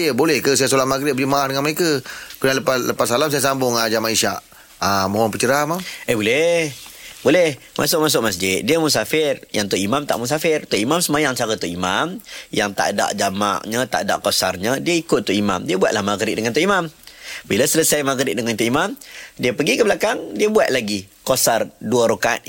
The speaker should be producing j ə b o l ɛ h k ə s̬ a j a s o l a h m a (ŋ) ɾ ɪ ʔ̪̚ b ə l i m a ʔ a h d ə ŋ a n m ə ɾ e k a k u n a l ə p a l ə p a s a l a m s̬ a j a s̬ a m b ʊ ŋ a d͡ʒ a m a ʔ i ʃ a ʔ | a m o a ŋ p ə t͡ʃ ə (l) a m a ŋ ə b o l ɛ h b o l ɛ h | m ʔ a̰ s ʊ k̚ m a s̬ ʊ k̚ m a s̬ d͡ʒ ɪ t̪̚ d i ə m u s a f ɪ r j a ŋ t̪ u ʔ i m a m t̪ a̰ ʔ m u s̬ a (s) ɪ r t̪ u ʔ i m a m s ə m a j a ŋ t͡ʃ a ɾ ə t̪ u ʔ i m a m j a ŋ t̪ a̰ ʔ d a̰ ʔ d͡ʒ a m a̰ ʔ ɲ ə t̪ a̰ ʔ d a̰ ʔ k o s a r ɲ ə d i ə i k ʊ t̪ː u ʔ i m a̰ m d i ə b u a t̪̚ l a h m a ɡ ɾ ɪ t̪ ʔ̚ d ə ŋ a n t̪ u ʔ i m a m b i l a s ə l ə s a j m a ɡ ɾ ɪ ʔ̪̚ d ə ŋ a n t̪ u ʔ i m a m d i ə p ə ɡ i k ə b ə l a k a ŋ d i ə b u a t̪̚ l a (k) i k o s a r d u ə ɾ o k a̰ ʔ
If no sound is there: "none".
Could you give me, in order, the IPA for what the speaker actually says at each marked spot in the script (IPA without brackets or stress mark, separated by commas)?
ɡ, ɾ, f, ɡ